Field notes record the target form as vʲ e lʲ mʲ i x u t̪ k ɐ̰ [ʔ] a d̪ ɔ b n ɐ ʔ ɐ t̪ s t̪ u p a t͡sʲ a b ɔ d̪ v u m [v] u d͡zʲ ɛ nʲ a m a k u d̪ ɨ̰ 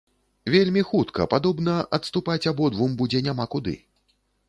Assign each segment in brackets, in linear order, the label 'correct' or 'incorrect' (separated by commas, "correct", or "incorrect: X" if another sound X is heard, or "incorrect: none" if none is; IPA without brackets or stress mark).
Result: incorrect: p, incorrect: b